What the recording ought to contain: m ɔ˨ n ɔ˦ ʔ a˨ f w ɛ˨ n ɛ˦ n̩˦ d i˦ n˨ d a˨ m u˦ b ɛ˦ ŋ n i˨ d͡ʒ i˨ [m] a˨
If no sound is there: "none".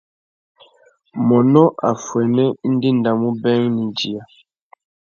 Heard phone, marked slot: none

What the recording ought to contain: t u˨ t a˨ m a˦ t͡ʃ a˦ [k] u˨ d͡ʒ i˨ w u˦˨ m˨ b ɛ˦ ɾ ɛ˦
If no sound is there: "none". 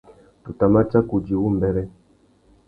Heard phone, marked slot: k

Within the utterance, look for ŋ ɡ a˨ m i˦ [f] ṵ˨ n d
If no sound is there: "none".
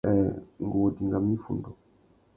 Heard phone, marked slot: f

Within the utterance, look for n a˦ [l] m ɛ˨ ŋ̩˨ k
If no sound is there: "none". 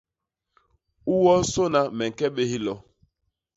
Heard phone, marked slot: none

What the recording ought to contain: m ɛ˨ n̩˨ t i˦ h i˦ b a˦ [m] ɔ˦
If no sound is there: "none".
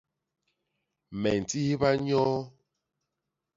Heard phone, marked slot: ɲ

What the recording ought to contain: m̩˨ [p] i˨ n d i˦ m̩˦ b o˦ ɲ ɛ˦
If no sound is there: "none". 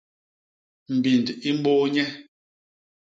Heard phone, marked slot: b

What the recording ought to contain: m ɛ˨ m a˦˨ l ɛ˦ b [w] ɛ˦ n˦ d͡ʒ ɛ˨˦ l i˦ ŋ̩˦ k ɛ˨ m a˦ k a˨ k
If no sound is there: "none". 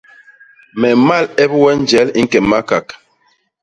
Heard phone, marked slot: w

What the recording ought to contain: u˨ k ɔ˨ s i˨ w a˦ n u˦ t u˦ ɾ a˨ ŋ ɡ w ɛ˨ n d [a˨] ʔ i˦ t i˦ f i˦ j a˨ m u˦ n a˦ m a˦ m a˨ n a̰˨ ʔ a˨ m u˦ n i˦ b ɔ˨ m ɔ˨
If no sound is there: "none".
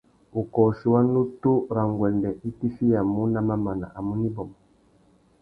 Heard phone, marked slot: ɛ˨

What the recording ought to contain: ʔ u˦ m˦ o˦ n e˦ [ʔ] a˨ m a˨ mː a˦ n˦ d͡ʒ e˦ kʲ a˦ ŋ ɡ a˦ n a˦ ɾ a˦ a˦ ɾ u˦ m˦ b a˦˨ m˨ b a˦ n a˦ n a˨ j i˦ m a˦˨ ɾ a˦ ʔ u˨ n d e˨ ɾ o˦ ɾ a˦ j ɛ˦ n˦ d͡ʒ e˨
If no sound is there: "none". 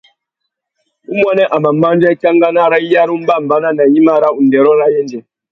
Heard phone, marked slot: ʔ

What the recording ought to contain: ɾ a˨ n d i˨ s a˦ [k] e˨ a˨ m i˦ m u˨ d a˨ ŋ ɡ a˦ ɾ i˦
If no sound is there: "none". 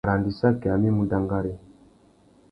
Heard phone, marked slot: k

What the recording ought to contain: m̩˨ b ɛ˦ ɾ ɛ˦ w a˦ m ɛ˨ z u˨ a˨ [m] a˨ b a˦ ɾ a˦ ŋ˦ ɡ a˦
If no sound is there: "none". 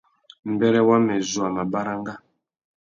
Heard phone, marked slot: m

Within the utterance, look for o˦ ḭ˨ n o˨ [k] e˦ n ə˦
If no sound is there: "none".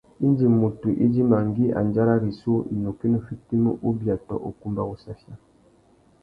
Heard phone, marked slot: k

